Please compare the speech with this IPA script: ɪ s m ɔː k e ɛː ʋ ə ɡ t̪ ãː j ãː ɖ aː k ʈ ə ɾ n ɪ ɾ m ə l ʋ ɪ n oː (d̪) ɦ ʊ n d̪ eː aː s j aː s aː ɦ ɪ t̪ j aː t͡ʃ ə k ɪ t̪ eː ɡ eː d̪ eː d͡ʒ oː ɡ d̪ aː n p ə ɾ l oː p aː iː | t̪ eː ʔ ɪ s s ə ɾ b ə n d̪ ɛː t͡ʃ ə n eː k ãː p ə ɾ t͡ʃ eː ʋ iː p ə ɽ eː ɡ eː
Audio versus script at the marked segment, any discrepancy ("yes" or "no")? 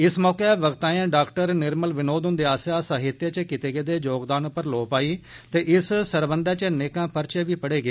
no